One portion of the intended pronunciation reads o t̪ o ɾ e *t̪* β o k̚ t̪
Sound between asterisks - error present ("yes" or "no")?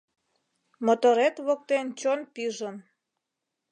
no